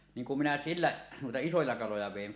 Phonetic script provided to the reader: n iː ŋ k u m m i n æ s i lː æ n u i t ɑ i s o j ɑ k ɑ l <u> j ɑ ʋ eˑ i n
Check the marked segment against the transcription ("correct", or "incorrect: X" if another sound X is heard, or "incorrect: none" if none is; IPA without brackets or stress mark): incorrect: o